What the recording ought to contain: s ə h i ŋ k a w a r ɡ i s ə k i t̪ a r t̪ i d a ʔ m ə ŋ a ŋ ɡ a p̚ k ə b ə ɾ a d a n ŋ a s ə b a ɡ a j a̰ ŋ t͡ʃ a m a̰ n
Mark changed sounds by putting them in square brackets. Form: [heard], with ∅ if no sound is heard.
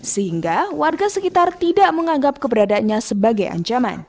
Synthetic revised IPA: s ə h i ŋ [ɡ] a w a r ɡ [a] s ə k i t̪ a r t̪ i d a ʔ m ə ŋ a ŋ ɡ a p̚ k ə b ə ɾ a d a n [ɲ] a s ə b a ɡ a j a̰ [ɲ] t͡ʃ a m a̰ n